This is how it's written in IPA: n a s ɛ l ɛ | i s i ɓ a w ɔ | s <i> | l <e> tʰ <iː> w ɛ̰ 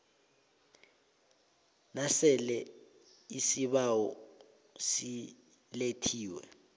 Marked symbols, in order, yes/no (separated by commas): yes, yes, yes